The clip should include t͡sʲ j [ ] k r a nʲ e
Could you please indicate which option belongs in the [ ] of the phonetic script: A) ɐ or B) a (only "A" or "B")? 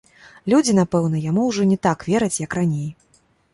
A